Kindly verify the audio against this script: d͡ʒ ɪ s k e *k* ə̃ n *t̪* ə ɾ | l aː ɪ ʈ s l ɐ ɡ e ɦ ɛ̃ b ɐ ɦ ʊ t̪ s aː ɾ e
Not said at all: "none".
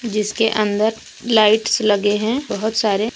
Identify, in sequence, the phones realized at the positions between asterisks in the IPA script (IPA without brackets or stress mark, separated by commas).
ʔ, d̪